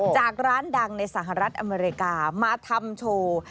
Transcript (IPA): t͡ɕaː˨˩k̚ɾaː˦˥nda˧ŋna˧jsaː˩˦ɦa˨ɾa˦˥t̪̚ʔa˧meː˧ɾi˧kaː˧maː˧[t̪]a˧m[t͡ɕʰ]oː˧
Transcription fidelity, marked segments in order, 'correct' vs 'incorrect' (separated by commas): incorrect, correct